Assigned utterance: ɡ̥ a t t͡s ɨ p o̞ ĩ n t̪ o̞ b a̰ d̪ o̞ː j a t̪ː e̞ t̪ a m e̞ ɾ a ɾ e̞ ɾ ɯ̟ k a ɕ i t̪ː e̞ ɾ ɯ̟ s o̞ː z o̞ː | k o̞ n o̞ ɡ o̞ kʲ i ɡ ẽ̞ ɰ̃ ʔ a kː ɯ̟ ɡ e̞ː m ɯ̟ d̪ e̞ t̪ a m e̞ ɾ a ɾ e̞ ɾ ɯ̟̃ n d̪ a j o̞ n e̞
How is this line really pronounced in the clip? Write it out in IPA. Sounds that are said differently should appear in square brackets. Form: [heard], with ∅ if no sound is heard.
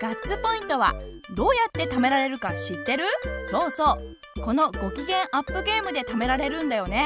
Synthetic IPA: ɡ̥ a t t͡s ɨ p o̞ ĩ n t̪ o̞ [β] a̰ d̪ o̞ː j a t̪ː e̞ t̪ a m e̞ ɾ a ɾ e̞ ɾ ɯ̟ k a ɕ i t̪ː e̞ ɾ ɯ̟ s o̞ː [s] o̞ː | k o̞ n o̞ ɡ o̞ kʲ i ɡ ẽ̞ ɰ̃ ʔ a [pː] ɯ̟ ɡ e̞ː m ɯ̟ d̪ e̞ t̪ a m e̞ ɾ a ɾ e̞ ɾ ɯ̟̃ n d̪ a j o̞ n e̞